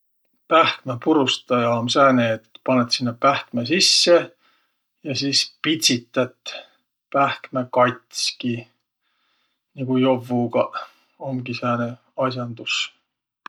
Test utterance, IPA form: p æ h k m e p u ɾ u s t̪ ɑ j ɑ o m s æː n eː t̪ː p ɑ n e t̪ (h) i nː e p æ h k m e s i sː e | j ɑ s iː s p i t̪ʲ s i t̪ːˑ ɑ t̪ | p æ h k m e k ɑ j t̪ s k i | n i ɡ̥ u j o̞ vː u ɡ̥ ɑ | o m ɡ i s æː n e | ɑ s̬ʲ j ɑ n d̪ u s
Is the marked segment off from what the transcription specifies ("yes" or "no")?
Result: yes